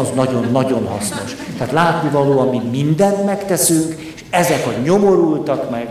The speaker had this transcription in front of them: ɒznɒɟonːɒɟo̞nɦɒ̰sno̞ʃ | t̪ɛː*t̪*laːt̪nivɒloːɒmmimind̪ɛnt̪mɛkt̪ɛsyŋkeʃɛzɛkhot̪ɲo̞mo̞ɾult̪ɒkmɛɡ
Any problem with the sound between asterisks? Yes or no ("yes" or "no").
no